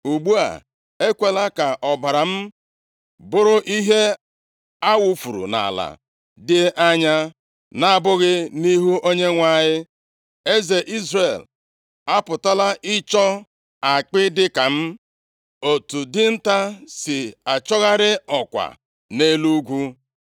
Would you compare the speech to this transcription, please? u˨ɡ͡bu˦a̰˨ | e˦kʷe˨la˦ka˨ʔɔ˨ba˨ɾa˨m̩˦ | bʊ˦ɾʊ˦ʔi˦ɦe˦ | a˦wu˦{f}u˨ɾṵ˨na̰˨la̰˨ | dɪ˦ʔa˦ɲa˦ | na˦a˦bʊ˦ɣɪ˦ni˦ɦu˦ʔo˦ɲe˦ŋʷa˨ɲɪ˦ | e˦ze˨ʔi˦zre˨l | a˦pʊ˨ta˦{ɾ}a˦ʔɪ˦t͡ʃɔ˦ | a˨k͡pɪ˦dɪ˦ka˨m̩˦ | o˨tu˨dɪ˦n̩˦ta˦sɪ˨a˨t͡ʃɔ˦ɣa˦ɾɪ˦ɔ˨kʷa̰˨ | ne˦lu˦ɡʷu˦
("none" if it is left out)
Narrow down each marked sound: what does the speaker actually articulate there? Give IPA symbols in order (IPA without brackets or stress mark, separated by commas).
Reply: f, l